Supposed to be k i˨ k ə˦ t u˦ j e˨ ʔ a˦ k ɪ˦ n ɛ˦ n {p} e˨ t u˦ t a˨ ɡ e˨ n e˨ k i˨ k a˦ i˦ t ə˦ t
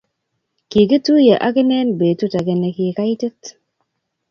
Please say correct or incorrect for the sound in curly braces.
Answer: incorrect